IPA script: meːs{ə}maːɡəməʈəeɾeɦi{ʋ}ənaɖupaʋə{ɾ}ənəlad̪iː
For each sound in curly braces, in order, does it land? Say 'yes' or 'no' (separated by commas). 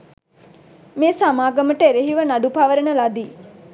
no, yes, yes